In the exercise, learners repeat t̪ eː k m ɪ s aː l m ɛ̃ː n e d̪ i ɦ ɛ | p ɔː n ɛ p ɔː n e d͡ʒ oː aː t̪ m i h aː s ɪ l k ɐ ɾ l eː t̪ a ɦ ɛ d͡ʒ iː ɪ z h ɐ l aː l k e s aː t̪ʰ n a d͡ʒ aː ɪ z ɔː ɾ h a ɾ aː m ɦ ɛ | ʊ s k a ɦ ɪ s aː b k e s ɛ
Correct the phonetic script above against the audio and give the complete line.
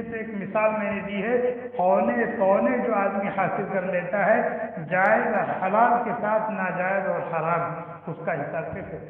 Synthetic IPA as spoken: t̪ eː k m ɪ s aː l m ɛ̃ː n e d̪ i ɦ ɛ | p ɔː n e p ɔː n e d͡ʒ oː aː d̪ m i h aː s ɪ l k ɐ ɾ l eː t̪ a ɦ ɛ d͡ʒ aː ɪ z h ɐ l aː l k e s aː t̪ʰ n a d͡ʒ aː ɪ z ɔː ɾ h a ɾ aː m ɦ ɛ | ʊ s k a ɦ ɪ s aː b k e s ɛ